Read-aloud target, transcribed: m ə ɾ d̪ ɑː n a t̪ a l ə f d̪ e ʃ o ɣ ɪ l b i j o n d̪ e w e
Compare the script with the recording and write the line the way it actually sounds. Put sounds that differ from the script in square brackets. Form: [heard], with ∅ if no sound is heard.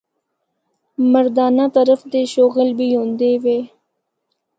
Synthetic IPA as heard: m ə ɾ d̪ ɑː n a t̪ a [ɾ] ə f d̪ e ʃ o ɣ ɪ l b i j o n d̪ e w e

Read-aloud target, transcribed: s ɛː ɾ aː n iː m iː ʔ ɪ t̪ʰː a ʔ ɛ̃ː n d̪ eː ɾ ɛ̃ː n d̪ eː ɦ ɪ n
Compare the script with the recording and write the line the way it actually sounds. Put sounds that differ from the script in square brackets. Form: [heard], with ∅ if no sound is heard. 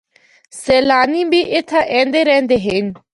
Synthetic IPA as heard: s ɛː [l] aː n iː [b] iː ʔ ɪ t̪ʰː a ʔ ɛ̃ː n d̪ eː ɾ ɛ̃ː n d̪ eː ɦ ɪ n

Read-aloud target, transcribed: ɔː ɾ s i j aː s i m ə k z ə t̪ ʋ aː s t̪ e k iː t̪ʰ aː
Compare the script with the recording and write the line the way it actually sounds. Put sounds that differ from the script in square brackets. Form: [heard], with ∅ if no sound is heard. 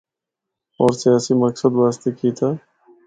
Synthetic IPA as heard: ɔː ɾ s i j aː s i m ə k [s] ə [d̪] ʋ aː s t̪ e k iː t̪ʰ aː

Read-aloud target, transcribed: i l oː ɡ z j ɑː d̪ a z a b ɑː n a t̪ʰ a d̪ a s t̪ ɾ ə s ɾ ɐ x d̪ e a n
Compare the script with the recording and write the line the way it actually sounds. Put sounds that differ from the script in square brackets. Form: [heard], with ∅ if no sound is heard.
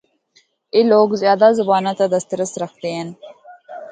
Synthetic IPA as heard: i l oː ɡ z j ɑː d̪ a z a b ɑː n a [t̪] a d̪ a s t̪ ɾ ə s ɾ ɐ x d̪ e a n

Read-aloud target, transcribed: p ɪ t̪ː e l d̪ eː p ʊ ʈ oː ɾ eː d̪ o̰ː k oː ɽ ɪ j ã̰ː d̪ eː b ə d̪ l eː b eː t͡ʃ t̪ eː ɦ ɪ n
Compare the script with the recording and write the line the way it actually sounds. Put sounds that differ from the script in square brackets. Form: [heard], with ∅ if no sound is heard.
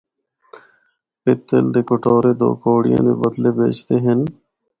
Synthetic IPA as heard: p ɪ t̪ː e l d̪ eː [k] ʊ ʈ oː ɾ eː d̪ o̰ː k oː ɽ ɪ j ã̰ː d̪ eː b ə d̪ l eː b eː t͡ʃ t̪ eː ɦ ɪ n

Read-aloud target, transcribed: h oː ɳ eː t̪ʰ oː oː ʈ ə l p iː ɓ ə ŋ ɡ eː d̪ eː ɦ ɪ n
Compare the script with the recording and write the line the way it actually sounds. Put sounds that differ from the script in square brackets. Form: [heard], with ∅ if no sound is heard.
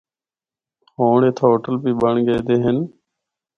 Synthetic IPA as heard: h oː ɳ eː t̪ʰ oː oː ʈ ə l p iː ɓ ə [ɳ] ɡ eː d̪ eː ɦ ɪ n

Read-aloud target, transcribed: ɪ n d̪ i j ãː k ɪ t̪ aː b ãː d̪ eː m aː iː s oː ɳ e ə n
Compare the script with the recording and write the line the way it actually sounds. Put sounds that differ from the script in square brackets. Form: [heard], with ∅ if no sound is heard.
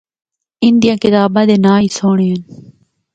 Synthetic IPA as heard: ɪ n d̪ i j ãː k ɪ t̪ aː b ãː d̪ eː [n] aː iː s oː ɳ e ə n

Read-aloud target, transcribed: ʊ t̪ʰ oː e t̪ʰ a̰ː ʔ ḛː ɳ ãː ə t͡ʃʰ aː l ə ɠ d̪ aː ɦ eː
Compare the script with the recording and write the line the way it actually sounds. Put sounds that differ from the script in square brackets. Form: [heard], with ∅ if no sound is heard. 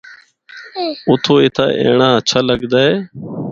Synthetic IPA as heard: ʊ t̪ʰ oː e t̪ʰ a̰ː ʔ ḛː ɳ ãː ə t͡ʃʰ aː l ə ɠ d̪ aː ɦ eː

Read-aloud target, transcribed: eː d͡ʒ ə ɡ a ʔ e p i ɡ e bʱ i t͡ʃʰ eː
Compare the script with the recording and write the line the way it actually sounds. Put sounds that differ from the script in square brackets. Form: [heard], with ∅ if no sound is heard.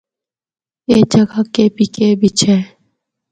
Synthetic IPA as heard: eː d͡ʒ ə ɡ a [k] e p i [k] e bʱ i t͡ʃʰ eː

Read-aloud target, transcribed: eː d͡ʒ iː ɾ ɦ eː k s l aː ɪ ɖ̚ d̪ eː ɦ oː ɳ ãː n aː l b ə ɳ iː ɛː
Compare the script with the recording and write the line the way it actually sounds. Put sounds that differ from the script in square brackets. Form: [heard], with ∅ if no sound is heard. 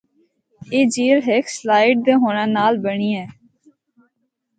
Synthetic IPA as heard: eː d͡ʒ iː [l] ɦ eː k s l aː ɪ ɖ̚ d̪ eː ɦ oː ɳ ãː n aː l b ə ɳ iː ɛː

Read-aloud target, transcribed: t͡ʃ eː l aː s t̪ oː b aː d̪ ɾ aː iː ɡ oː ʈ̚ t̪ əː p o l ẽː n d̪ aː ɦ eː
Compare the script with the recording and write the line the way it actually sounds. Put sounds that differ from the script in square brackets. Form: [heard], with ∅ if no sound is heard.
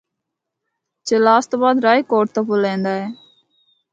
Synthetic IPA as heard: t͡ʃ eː l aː s t̪ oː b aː d̪ ɾ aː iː [k] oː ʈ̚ t̪ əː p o l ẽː n d̪ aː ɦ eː

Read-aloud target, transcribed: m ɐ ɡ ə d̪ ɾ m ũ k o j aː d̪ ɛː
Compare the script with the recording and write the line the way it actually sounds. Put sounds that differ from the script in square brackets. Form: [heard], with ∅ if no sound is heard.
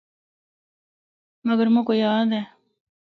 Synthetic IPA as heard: m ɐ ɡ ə [∅] ɾ m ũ k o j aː d̪ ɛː

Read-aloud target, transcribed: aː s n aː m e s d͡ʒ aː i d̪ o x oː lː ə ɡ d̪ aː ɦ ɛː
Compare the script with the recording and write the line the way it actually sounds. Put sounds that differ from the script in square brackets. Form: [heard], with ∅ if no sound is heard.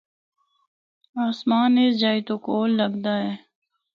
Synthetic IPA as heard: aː s [m] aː [n] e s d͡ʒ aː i [t̪] o [k] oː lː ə ɡ d̪ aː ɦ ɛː

